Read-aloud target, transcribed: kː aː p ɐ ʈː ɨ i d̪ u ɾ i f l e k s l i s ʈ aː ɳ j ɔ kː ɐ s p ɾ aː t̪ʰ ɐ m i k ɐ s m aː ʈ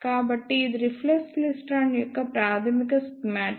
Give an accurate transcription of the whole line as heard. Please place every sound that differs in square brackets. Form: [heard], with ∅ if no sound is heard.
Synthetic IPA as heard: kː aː [b] ɐ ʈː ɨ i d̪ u ɾ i f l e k s l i s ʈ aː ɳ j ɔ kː ɐ [∅] p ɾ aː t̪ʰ ɐ m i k ɐ s m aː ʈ

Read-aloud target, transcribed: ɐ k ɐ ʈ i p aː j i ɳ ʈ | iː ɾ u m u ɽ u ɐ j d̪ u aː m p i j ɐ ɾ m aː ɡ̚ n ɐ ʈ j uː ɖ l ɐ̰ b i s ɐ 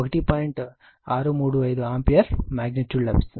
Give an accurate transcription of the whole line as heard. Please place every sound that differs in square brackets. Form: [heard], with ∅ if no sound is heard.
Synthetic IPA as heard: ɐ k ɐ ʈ i p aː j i ɳ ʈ | [aː] ɾ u m [uː] ɽ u ɐ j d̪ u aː m p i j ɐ ɾ m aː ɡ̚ n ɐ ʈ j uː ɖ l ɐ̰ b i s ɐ

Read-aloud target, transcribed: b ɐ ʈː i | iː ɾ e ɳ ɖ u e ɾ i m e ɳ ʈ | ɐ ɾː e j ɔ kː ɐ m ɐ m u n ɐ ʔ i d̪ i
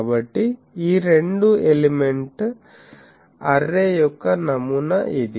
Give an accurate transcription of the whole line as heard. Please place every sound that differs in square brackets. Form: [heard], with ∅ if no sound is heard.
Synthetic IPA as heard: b ɐ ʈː i | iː ɾ e ɳ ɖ u e [l] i m e ɳ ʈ | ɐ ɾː e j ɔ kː ɐ [n] ɐ m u n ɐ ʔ i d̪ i

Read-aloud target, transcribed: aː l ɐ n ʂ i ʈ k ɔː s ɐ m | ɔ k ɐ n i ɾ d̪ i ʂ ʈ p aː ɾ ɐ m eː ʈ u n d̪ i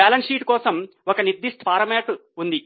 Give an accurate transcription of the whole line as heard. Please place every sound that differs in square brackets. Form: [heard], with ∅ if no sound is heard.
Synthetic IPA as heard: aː l ɐ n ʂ [iː] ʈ k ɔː s ɐ m | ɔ k ɐ n i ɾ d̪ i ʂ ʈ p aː ɾ ɐ m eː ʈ u n d̪ i

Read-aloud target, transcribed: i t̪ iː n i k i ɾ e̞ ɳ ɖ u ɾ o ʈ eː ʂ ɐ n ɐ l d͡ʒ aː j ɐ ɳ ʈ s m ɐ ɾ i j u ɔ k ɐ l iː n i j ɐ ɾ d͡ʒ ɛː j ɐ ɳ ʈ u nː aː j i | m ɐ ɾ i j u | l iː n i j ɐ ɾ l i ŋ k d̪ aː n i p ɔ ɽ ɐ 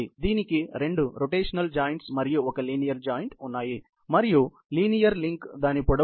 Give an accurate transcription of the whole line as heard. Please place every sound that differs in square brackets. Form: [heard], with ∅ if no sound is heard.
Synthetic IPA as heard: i [d̪] iː n i k i ɾ e̞ ɳ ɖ u ɾ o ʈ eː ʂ ɐ n ɐ l d͡ʒ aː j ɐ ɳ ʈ s m ɐ ɾ i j u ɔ k ɐ l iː n i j ɐ ɾ d͡ʒ [aː] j ɐ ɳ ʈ u nː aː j i | m ɐ ɾ i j u | l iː n i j ɐ ɾ l i ŋ k d̪ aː n i p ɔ ɽ ɐ

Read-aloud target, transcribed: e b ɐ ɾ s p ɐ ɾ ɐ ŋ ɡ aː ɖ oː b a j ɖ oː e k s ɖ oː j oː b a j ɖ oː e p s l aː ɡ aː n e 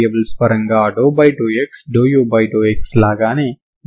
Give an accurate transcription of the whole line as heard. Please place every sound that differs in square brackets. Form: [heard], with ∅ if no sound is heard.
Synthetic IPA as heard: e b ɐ [l] s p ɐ ɾ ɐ ŋ ɡ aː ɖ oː b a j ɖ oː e k s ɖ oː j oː b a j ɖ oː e [k] s l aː ɡ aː n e

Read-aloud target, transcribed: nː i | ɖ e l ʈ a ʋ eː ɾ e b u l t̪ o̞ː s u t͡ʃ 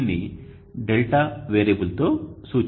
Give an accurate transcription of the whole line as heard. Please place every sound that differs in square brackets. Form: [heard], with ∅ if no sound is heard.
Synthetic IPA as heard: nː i | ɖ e l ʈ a ʋ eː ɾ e b u l t̪ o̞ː s [uː] t͡ʃ

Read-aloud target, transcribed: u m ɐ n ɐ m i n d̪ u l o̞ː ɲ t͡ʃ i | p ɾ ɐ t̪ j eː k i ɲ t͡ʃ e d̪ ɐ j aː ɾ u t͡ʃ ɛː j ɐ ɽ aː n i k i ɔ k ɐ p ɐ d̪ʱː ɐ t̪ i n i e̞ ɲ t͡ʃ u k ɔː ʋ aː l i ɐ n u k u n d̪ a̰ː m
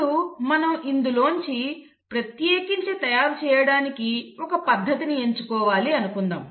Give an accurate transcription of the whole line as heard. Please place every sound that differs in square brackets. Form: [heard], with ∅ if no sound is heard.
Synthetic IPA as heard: u m ɐ n ɐ m i n d̪ u l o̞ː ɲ t͡ʃ i | p ɾ ɐ t̪ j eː k i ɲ t͡ʃ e [t̪] ɐ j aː ɾ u t͡ʃ ɛː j ɐ ɽ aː n i k i ɔ k ɐ p ɐ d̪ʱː ɐ t̪ i n i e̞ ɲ t͡ʃ u k ɔː ʋ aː l i ɐ n u k u n d̪ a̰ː m

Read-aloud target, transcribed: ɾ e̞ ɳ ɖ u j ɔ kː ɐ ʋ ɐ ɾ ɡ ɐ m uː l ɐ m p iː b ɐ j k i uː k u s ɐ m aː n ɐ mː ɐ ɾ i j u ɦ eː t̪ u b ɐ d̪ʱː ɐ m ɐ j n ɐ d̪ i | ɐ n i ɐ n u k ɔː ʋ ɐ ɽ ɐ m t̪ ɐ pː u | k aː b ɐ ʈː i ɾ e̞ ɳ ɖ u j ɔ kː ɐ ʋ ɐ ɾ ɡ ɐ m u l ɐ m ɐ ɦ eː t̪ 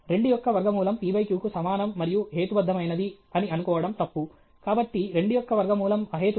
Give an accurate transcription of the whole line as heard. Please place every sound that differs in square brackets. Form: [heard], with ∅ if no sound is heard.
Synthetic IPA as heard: ɾ e̞ ɳ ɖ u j ɔ kː ɐ ʋ ɐ ɾ ɡ ɐ m uː l ɐ m p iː b ɐ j k [j] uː k u s ɐ m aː n ɐ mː ɐ ɾ i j u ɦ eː t̪ u b ɐ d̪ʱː ɐ m ɐ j n ɐ d̪ i | ɐ n i ɐ n u k ɔː ʋ ɐ ɽ ɐ m t̪ ɐ pː u | k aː b ɐ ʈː i ɾ e̞ ɳ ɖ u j ɔ kː ɐ ʋ ɐ ɾ ɡ ɐ m [uː] l ɐ m ɐ ɦ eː t̪

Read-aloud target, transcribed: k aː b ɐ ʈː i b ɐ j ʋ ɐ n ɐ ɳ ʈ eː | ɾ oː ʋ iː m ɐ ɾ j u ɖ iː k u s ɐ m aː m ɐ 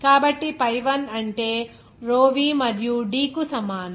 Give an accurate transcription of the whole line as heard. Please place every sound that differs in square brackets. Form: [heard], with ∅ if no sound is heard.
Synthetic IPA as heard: k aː b ɐ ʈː i [p] ɐ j ʋ ɐ n ɐ ɳ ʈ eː | ɾ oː ʋ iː m ɐ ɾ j u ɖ iː k u s ɐ m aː [n] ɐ

